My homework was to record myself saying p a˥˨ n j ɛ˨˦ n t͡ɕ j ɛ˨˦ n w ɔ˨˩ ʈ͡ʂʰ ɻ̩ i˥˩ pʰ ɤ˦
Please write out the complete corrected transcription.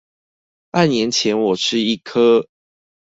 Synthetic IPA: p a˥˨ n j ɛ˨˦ n t͡ɕʰ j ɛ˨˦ n w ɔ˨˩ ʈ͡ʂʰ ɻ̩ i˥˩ kʰ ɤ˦